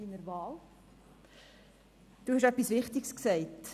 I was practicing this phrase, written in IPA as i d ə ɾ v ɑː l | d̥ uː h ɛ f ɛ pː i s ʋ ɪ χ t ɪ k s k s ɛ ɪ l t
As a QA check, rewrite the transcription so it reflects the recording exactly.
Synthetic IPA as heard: i n ə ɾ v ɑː l | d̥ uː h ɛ ʃ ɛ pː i s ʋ ɪ χ t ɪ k s k s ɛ ɪ t